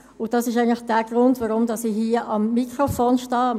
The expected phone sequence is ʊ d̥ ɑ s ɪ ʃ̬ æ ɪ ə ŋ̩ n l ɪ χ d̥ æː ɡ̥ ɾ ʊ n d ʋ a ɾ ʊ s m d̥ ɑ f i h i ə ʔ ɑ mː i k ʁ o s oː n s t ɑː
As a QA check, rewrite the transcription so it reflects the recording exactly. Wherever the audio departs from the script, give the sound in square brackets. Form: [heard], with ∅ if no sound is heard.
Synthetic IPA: ʊ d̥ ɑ s ɪ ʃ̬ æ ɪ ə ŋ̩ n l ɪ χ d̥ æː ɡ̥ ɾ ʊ n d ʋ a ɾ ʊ [∅] m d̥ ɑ [s] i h i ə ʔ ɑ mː i k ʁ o [f] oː n [ʃ] t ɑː